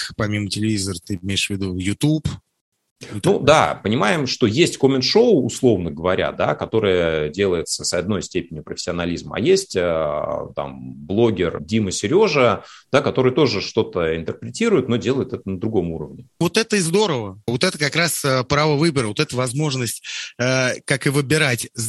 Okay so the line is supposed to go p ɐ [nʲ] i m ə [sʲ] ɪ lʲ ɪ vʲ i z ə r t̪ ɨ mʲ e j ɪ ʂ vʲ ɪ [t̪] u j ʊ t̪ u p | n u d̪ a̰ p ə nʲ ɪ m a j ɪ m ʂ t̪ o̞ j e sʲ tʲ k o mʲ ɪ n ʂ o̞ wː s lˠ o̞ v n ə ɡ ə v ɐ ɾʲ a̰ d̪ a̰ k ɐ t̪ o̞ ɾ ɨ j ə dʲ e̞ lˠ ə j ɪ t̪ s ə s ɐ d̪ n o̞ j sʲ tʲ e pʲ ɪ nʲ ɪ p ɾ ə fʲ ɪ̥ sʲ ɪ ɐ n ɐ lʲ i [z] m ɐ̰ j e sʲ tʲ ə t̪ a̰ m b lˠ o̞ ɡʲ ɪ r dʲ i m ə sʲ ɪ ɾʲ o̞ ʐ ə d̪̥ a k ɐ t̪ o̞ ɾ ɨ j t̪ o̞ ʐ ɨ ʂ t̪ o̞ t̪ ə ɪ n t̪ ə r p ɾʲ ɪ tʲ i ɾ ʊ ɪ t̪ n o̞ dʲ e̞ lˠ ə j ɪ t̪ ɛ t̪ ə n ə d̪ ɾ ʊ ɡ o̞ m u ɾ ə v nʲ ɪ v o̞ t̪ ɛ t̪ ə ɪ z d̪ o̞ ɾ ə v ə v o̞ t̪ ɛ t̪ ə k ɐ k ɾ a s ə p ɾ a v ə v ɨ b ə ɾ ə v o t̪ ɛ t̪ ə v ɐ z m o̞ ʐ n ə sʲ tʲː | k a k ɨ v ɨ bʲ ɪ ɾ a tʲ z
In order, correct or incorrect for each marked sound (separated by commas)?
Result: incorrect, incorrect, incorrect, correct